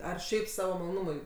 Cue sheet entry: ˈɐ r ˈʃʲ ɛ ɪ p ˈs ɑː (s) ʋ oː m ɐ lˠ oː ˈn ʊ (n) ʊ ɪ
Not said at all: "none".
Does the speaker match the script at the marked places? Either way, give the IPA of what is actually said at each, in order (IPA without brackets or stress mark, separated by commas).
none, m